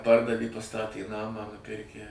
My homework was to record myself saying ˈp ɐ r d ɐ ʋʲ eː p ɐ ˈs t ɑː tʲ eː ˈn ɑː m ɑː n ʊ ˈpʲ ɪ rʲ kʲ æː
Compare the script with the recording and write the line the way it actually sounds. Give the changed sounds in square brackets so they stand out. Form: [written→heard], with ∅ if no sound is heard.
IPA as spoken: ˈp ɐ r d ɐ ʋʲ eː p ɐ ˈs t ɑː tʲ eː ˈn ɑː m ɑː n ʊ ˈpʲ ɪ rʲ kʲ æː